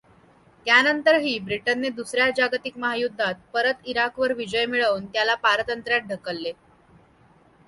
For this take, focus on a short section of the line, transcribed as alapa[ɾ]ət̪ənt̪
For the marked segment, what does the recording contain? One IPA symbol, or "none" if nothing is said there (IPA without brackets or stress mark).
ɾ